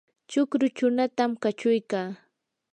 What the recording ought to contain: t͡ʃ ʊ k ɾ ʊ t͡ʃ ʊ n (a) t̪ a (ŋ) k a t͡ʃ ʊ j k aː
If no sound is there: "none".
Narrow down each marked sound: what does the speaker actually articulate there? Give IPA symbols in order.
a, m

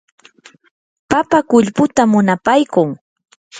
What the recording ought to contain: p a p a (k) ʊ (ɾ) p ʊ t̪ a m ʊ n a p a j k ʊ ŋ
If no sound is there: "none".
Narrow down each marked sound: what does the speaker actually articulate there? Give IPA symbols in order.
k, ʎ

